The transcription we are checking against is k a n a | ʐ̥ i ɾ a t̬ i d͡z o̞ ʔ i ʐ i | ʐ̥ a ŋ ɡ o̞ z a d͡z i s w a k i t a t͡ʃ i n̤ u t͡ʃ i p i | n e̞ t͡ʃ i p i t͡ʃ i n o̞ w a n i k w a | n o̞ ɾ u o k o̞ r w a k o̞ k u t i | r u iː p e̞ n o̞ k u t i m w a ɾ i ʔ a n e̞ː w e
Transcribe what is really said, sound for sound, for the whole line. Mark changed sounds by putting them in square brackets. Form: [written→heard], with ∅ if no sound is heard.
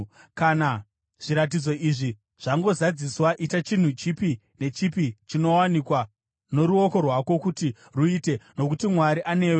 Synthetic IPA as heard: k a n a | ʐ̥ i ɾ a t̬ i d͡z o̞ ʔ i ʐ i | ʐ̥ a ŋ ɡ o̞ z a d͡z i s w a [k→ʔ] i t a t͡ʃ i n̤ u t͡ʃ i p i | n e̞ t͡ʃ i p i t͡ʃ i n o̞ w a n i k w a | n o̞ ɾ u o k o̞ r w a k o̞ k u t i | r u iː [p→t] e̞ n o̞ k u t i m w a ɾ i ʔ a n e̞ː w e